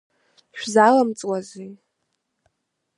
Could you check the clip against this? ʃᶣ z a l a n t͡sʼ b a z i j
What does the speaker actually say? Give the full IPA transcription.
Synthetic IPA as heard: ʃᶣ z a l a m t͡sʼ w a z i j